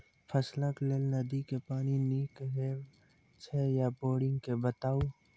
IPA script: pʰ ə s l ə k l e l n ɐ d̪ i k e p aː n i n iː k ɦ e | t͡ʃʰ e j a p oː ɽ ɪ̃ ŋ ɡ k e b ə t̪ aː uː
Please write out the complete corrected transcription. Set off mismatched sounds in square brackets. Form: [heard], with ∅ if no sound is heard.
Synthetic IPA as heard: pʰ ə s l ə k l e l n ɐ d̪ i k e p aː n i n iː k ɦ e | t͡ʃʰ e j a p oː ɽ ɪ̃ ŋ ɡ k e b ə t̪ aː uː